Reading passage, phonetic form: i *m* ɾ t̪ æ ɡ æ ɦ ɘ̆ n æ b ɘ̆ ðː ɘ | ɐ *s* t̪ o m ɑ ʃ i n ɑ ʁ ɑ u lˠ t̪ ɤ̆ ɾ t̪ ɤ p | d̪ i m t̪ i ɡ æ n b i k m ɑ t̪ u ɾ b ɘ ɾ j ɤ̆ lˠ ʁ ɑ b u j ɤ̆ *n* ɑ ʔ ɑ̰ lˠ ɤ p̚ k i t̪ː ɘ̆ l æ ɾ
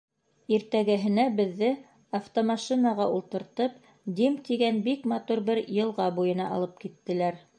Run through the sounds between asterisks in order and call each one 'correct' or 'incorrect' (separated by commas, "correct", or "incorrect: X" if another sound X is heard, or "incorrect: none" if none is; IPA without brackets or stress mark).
incorrect: none, incorrect: f, correct